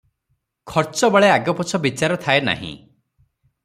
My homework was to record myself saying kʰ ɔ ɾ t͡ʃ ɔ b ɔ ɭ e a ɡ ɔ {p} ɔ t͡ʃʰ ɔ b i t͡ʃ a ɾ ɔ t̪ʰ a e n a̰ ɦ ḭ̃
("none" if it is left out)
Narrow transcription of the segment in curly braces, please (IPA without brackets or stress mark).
p